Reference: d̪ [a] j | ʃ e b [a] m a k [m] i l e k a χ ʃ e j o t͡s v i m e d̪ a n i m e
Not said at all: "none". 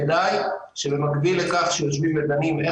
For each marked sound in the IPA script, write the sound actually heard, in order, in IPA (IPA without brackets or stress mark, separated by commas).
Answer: a, e, b